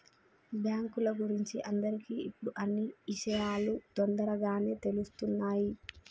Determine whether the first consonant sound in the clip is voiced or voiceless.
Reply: voiced